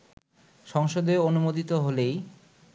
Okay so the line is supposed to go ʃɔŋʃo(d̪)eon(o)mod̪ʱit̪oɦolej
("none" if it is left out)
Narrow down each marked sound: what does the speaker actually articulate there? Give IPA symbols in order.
d̪, u

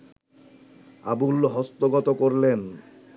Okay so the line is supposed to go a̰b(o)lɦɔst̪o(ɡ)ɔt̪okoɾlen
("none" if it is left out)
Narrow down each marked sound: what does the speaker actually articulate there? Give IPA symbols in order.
u, ɡ

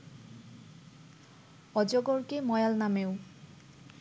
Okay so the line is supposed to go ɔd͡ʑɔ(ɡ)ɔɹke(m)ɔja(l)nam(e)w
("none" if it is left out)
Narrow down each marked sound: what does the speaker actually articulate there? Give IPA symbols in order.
ɡ, m, l, e

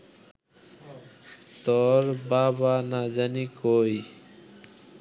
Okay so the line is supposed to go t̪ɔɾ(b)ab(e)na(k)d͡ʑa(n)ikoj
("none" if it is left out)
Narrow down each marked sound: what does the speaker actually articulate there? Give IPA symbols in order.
b, a, none, n

